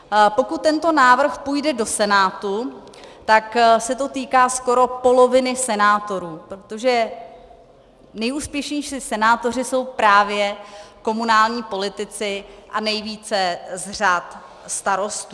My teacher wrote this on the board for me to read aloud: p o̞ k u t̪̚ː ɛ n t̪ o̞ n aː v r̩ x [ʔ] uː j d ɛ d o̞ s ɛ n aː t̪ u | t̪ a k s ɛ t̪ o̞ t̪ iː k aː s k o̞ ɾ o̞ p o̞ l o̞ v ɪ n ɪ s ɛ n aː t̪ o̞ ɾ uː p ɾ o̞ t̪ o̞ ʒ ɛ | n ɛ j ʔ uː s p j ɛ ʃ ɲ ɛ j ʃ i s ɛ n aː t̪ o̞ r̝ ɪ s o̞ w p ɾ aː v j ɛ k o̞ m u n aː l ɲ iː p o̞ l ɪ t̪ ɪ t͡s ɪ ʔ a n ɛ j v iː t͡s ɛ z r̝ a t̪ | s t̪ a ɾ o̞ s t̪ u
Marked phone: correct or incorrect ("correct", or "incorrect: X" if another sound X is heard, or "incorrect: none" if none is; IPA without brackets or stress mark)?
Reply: incorrect: p